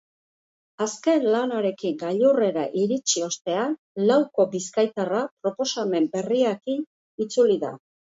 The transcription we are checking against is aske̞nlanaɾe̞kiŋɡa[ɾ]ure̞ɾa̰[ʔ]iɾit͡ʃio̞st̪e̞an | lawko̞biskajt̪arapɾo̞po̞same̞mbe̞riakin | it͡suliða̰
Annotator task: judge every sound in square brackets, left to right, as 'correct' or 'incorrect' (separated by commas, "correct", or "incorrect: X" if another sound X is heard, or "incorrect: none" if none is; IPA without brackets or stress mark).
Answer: incorrect: ʎ, correct